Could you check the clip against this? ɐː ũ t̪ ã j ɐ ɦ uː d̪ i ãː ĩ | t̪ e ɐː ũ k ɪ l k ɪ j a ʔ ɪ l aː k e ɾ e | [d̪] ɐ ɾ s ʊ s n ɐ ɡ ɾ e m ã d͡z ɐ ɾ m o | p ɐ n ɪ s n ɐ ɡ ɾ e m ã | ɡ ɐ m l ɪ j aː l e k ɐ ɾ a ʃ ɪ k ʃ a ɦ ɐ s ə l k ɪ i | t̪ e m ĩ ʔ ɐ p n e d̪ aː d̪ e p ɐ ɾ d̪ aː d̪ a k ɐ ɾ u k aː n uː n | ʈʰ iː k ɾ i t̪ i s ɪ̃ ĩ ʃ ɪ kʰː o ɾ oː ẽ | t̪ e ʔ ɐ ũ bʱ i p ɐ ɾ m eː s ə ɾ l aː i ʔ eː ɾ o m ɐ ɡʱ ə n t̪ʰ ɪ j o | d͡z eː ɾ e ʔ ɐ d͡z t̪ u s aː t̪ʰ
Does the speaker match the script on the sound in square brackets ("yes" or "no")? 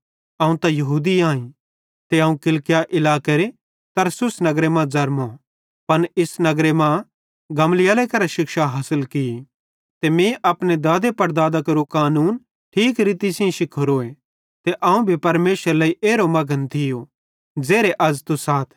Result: no